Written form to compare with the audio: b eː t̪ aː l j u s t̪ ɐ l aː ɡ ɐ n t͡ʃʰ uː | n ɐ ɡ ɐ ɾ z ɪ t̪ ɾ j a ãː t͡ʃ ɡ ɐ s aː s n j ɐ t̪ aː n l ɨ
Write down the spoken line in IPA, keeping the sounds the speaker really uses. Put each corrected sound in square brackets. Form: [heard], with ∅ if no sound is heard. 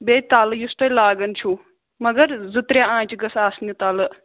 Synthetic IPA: b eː t̪ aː l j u s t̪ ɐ l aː ɡ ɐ n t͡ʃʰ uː | [m] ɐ ɡ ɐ ɾ z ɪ t̪ ɾ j a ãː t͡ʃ ɡ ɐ s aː s n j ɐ t̪ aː [∅] l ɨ